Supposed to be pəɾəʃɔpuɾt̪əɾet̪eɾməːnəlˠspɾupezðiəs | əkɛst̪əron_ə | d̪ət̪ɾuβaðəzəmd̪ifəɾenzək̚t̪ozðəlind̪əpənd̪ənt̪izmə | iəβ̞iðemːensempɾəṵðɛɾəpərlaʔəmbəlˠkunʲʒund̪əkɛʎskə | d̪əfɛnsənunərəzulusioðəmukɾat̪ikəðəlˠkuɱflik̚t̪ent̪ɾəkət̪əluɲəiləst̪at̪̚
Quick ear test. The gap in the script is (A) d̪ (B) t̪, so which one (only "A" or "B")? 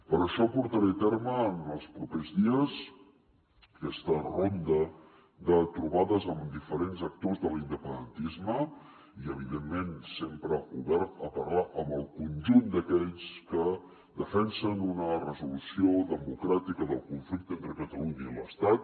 A